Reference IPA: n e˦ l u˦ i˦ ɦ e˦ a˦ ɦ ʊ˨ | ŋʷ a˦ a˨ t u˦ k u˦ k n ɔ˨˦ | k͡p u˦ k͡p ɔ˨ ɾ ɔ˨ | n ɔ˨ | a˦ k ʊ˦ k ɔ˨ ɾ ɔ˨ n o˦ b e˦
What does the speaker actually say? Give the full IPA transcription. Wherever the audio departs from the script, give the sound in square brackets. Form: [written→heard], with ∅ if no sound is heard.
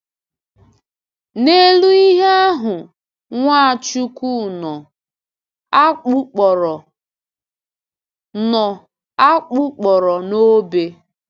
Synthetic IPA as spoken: n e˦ l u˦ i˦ ɦ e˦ a˦ ɦ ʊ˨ | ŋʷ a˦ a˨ [t→t͡ʃ] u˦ k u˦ [k→∅] n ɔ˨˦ | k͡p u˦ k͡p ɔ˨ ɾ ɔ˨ | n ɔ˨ | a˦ [k→k͡p] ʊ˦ [k→k͡p] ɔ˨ ɾ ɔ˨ n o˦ b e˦